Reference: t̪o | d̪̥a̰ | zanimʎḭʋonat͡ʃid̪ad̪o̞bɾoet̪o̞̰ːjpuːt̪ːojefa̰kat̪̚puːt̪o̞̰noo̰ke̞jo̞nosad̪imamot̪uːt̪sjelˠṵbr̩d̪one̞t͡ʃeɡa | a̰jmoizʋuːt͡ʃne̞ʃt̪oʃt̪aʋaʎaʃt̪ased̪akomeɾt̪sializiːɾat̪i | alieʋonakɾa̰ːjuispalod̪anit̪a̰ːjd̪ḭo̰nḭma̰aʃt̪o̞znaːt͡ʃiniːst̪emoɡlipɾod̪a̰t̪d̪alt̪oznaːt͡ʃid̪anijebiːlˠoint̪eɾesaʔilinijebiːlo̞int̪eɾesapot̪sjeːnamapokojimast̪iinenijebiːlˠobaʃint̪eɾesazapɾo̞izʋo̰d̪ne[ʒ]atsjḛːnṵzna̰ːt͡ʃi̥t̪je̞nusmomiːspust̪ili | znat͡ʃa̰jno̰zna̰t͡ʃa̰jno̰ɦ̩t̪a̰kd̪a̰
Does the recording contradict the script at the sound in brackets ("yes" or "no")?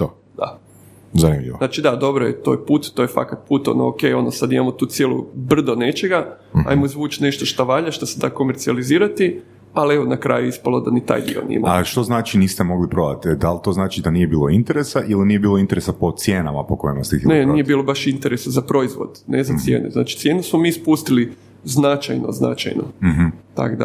yes